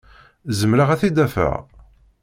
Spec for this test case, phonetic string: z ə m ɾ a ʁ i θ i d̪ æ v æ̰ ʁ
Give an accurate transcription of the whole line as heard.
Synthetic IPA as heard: z ə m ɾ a ʁ æ θ i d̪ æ f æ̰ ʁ